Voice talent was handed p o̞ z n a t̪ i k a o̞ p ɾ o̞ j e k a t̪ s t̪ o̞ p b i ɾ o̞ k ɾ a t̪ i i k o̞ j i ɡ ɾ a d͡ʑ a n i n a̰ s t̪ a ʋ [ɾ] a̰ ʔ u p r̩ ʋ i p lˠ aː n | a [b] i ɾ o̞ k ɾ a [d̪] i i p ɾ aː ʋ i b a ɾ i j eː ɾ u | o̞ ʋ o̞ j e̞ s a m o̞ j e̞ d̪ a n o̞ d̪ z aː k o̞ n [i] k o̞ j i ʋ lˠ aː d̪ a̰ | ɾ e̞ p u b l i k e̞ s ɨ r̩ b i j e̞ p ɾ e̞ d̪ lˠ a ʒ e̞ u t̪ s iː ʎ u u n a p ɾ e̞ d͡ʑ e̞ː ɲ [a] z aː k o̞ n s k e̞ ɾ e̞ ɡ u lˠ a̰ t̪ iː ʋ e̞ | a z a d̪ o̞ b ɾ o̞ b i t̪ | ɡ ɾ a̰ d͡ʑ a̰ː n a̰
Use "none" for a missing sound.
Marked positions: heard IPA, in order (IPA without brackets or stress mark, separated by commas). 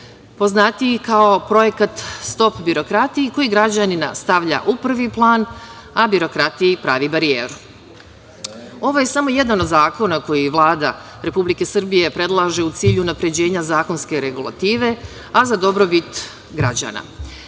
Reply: ʎ, b, t̪, a, a